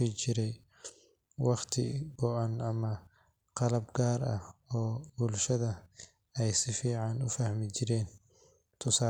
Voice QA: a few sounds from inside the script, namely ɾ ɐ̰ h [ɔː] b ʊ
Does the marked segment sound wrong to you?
no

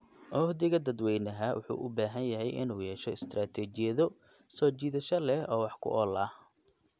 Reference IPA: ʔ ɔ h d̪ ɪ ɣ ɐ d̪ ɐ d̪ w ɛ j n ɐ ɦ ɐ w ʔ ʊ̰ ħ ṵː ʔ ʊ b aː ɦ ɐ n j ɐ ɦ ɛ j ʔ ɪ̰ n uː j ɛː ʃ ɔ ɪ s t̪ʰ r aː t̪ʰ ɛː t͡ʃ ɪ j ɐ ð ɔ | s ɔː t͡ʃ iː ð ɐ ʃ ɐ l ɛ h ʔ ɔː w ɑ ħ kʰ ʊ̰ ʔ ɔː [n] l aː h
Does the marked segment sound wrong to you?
yes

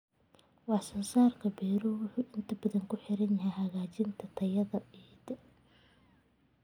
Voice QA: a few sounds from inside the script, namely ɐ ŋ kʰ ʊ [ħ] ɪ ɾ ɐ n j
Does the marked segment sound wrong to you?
no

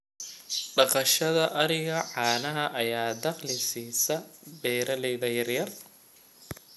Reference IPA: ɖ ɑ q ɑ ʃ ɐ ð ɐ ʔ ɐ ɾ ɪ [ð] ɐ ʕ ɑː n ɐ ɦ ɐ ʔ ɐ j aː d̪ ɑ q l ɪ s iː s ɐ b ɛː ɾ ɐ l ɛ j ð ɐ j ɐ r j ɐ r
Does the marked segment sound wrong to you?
yes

